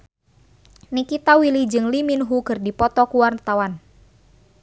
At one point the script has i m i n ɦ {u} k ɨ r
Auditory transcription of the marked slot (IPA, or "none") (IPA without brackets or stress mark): u